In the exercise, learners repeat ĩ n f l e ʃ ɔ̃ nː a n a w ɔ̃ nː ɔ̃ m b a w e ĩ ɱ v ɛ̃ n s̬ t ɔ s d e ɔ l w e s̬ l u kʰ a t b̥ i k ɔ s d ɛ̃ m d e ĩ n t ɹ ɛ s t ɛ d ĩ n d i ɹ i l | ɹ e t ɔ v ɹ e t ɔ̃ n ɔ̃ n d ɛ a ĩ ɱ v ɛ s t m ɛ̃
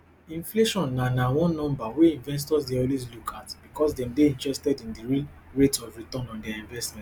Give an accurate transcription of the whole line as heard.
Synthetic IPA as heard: ĩ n f l e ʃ ɔ̃ nː a n a w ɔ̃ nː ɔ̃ m b a w e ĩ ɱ v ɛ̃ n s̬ t ɔ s d e ɔ l w e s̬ l u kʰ a t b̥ i k ɔ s d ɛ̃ m d e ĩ n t ɹ ɛ s t ɛ d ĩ n d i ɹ i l | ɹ e t ɔ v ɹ i t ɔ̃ n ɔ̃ n d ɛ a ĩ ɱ v ɛ s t m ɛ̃